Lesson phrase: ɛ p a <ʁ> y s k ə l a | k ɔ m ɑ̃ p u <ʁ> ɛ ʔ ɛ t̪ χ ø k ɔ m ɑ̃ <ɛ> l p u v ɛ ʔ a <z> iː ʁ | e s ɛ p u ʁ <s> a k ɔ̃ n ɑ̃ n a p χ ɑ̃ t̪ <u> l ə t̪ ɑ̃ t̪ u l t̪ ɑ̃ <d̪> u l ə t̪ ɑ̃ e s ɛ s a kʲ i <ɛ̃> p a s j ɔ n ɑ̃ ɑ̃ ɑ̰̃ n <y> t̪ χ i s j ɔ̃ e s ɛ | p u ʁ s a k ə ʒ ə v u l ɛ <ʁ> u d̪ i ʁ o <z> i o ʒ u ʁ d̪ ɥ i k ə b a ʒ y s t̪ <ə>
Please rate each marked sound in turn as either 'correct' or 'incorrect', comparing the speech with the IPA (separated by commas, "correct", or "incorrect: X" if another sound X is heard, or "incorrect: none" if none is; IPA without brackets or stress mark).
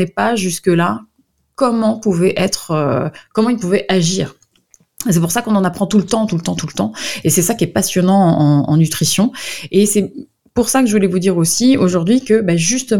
incorrect: ʒ, incorrect: v, incorrect: i, incorrect: ʒ, correct, correct, incorrect: t̪, incorrect: ɛ, correct, incorrect: v, incorrect: s, correct